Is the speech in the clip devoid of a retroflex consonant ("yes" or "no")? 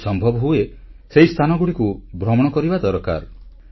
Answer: no